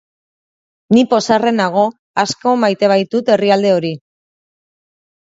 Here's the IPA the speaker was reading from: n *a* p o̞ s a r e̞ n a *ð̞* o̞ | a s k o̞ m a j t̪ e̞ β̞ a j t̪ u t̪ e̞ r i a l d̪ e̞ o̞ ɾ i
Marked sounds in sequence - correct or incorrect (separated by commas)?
incorrect, incorrect